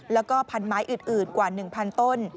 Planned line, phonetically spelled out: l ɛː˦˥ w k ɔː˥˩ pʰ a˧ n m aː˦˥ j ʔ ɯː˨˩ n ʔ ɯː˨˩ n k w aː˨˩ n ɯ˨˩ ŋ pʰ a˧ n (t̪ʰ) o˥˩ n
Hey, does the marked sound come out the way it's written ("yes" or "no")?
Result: no